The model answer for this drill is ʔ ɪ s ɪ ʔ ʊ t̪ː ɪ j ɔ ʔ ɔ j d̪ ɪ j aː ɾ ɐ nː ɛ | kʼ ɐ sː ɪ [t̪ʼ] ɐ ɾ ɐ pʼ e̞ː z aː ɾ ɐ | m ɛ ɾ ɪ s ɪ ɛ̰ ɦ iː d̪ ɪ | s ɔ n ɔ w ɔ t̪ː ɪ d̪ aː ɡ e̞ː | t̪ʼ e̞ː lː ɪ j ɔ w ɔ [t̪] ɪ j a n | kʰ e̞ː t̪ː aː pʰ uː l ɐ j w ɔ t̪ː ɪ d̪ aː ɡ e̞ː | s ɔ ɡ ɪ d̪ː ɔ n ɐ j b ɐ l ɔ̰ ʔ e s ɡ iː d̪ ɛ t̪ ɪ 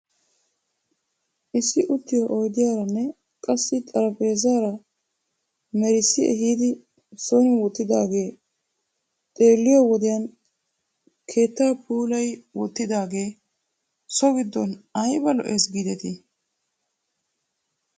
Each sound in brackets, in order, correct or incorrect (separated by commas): correct, incorrect